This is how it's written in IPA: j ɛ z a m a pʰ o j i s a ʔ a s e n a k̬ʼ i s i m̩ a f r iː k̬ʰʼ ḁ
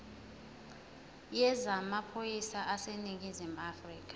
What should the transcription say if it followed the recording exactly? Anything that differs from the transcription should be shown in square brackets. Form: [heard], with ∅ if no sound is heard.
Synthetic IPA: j ɛ z a m a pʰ o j i s a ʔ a s e n [i] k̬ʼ i [z] i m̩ a f r iː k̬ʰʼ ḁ